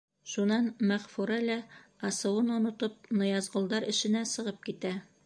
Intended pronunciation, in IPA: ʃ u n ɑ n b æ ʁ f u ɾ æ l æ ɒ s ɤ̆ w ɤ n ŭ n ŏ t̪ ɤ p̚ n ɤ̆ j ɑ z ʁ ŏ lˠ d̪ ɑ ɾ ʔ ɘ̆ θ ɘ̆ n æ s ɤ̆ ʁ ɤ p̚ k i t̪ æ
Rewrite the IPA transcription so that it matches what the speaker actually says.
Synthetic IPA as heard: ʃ u n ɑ n m æ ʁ f u ɾ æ l æ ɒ s ɤ̆ w ɤ n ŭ n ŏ t̪ ɤ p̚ n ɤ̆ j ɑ z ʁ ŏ lˠ d̪ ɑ ɾ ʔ ɘ̆ ʃ ɘ̆ n æ s ɤ̆ ʁ ɤ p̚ k i t̪ æ

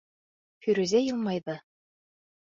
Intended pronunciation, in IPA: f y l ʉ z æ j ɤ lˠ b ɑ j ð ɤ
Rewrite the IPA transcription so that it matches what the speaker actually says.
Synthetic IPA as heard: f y ɾ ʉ z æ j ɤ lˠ m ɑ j ð ɤ

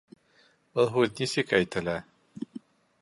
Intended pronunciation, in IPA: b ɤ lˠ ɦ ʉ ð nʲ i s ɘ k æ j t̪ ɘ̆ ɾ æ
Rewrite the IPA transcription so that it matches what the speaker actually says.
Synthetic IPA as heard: b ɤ lˠ ɦ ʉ ð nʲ i s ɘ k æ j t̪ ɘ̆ l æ

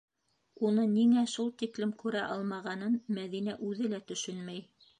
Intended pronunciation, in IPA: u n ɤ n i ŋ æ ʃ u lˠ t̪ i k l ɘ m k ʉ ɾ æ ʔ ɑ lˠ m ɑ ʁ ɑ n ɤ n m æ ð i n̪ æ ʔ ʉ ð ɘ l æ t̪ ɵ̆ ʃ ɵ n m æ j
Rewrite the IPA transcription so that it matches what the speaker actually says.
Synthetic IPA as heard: u n ɤ n i ŋ æ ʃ u lˠ t̪ i k l ɘ m k ʉ ɾ æ ʔ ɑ lˠ m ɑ ʁ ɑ n ɤ n m æ ð i n̪ æ ʔ ʉ ð ɘ l æ t̪ ɵ̆ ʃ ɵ n m æ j

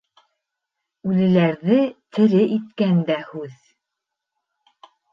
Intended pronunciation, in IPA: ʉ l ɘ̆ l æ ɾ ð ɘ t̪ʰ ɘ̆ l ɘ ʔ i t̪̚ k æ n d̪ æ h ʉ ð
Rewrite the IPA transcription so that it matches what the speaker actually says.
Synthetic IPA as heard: ʉ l ɘ̆ l æ ɾ ð ɘ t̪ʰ ɘ̆ ɾ ɘ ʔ i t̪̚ k æ n d̪ æ h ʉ ð

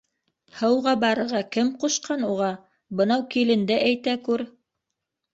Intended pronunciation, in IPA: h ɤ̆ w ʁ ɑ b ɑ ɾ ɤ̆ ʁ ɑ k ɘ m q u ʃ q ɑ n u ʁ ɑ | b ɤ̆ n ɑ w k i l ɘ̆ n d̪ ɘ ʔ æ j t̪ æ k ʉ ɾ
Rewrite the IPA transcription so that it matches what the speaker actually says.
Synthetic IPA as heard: h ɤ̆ w ʁ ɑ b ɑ ɾ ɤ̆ ʁ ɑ k ɘ m q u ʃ q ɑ n u ʁ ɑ | b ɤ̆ n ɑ w k i l ɘ̆ n d̪ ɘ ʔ æ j t̪ æ k ʉ ɾ

